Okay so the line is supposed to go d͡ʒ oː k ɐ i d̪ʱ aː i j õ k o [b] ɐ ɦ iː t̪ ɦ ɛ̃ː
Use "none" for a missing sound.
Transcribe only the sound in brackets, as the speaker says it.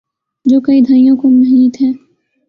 m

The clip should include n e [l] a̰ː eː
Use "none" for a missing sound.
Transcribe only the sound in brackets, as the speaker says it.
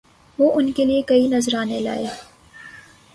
l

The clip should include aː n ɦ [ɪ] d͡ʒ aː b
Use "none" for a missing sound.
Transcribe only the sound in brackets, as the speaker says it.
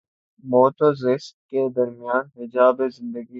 ɪ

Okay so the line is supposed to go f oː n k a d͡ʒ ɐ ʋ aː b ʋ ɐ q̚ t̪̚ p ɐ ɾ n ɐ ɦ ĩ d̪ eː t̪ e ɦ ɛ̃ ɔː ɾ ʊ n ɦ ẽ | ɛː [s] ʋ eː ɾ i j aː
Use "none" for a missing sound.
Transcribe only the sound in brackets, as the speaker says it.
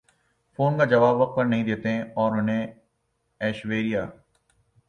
ʃ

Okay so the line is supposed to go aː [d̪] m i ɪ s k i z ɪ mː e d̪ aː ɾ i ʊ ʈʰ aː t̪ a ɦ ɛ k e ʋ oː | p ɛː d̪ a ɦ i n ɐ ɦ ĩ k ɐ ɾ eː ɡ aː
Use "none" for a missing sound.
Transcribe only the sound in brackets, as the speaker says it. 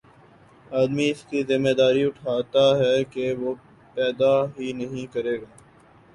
d̪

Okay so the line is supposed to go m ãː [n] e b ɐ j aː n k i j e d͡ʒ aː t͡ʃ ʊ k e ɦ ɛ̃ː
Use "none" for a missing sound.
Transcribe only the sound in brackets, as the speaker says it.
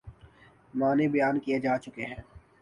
n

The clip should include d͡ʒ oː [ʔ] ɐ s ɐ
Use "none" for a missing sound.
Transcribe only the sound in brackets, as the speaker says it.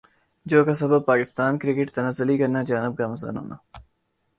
k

